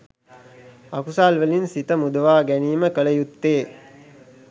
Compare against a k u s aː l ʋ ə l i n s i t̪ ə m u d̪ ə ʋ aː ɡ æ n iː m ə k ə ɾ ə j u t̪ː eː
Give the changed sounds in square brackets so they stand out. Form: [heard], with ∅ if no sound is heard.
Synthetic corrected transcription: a k u s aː l ʋ ə l i n s i t̪ ə m u d̪ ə ʋ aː ɡ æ n iː m ə k ə [l] ə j u t̪ː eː